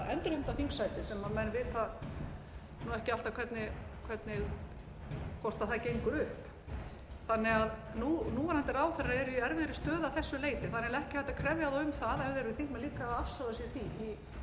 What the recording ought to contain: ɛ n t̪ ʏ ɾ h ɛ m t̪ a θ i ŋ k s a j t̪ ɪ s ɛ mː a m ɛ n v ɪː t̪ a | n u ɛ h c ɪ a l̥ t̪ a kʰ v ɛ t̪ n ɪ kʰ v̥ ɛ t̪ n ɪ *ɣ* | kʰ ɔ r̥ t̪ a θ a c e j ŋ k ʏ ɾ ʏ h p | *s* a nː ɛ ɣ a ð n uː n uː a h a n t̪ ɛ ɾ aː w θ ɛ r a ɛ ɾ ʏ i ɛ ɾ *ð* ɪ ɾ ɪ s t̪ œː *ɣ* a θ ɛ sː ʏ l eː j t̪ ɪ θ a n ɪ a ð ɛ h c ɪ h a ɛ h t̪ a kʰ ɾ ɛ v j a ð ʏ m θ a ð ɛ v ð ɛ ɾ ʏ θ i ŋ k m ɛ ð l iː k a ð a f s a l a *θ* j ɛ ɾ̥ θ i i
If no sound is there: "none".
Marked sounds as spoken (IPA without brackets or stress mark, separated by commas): ɣ, θ, v, ð, s